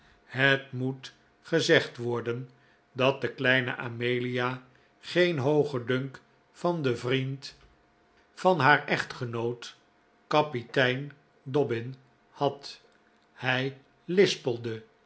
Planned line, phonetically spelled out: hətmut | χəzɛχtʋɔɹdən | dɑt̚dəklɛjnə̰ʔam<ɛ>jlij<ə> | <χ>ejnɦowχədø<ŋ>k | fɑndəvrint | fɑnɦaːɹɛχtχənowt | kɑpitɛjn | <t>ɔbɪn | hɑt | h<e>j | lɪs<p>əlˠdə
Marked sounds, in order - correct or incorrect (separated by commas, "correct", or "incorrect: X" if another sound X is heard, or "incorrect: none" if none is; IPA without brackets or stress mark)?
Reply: incorrect: e, incorrect: a, correct, correct, incorrect: d, incorrect: ɛ, correct